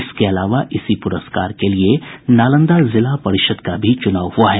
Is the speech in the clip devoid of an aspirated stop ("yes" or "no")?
yes